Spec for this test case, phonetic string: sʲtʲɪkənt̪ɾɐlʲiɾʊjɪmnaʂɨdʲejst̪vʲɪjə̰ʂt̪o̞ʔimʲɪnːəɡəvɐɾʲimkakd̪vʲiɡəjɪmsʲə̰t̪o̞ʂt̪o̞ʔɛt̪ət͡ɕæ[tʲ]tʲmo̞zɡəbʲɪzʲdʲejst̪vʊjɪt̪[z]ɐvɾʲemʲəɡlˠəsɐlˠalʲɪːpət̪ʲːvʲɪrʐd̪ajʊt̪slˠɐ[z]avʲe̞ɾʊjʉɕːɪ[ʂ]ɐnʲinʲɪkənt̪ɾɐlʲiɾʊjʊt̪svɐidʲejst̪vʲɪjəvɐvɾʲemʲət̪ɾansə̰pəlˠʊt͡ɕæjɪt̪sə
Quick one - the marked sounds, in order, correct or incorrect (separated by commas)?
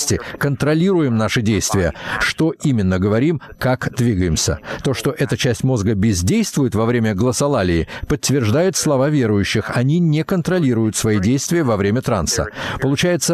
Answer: incorrect, incorrect, incorrect, incorrect